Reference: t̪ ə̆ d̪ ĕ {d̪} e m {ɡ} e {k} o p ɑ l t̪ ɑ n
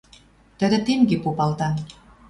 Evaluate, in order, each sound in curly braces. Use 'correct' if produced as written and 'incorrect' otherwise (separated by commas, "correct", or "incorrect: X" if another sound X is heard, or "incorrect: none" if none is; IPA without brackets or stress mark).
incorrect: t̪, correct, incorrect: p